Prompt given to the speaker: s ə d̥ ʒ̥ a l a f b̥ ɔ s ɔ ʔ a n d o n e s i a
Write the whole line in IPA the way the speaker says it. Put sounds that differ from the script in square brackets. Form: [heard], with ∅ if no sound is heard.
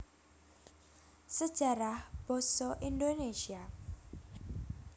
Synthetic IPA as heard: s ə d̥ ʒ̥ a [ɾ] a [h] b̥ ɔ s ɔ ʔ [i] n d o n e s i a